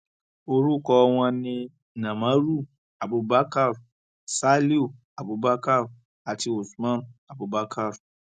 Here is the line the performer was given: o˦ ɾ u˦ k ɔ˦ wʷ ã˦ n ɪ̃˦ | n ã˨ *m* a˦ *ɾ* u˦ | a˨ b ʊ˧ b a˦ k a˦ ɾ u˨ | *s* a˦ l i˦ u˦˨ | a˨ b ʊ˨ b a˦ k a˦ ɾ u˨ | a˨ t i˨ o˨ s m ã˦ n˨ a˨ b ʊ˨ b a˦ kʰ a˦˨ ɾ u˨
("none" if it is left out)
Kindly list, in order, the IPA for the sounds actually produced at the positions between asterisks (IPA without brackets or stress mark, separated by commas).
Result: m, ɾ, s